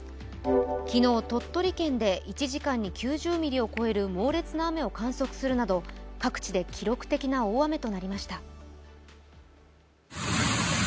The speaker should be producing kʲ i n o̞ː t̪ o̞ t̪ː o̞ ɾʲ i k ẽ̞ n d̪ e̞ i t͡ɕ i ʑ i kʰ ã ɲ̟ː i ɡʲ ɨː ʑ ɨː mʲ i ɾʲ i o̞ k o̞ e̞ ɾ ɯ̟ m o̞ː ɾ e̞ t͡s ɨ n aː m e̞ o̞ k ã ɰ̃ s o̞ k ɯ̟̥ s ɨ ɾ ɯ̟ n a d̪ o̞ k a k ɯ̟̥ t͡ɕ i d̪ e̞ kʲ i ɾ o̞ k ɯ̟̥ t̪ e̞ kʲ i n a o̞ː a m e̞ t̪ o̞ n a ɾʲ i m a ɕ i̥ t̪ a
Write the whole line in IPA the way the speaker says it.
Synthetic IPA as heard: kʲ i n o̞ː t̪ o̞ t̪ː o̞ ɾʲ i k ẽ̞ n d̪ e̞ i t͡ɕ i ʑ i k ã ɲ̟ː i kʲ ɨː ʑ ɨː mʲ i ɾʲ i o̞ k o̞ e̞ ɾ ɯ̟ m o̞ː ɾ e̞ t͡s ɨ n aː m e̞ o̞ k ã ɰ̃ s o̞ k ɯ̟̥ s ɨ ɾ ɯ̟ n a d̪ o̞ k a k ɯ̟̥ t͡ɕ i d̪ e̞ kʲ i ɾ o̞ k ɯ̟̥ t̪ e̞ kʲ i n a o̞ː a m e̞ t̪ o̞ n a ɾʲ i m a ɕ i̥ t̪ a